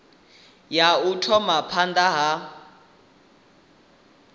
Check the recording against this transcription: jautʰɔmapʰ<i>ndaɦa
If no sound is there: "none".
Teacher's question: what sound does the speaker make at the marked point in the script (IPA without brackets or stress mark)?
a